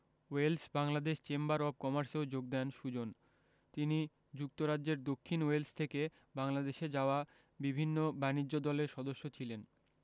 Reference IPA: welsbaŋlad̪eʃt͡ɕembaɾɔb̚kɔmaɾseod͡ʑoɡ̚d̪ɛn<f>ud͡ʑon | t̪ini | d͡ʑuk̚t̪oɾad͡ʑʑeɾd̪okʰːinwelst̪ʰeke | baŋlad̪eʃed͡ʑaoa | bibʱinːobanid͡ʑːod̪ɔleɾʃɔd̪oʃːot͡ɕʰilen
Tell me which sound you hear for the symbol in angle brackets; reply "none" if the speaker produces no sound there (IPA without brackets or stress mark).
ʃ